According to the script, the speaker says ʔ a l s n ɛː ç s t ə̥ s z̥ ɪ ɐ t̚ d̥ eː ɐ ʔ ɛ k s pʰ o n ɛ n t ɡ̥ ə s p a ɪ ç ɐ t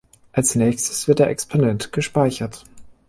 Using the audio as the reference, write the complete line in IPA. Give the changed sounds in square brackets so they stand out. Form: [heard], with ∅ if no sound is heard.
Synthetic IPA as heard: ʔ a l s n ɛː ç s t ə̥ s [v̥] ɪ ɐ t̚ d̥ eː ɐ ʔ ɛ k s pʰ o n ɛ n t ɡ̥ ə [ʃ] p a ɪ ç ɐ t